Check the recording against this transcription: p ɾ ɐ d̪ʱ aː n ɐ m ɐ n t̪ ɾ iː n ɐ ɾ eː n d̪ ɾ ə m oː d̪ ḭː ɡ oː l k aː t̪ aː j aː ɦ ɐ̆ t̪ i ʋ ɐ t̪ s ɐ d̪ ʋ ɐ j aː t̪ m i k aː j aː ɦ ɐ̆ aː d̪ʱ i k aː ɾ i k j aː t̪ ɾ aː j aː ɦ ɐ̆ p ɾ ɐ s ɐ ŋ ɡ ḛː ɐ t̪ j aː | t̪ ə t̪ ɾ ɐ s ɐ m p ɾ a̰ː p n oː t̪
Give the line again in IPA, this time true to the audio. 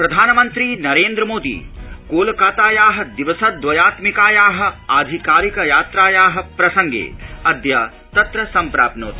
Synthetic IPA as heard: p ɾ ɐ d̪ʱ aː n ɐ m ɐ n t̪ ɾ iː n ɐ ɾ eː n d̪ ɾ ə m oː d̪ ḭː k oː l k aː t̪ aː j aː ɦ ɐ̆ d̪ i ʋ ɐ s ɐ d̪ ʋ ɐ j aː t̪ m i k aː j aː ɦ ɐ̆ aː d̪ʱ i k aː ɾ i k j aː t̪ ɾ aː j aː ɦ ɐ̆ p ɾ ɐ s ɐ ŋ ɡ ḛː ɐ d̪ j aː | t̪ ɐ t̪ ɾ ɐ s ɐ m p ɾ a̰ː p n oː t̪